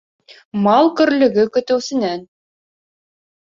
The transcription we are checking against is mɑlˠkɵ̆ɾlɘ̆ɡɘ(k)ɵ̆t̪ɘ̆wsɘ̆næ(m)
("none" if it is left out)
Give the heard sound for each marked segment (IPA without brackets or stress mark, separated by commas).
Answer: k, n